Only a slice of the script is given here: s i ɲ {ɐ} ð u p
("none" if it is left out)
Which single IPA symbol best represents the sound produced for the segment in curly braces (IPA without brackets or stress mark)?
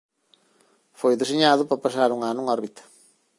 a